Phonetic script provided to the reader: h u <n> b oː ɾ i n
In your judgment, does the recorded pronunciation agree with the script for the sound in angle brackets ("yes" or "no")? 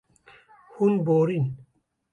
yes